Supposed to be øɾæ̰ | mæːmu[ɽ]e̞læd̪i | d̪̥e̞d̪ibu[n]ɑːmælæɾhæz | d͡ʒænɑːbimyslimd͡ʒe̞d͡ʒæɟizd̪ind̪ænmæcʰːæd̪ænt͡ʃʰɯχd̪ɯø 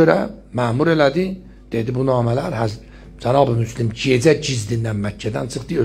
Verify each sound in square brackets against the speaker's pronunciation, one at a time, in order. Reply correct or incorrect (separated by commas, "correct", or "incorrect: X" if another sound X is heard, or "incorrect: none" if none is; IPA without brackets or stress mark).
incorrect: ɾ, correct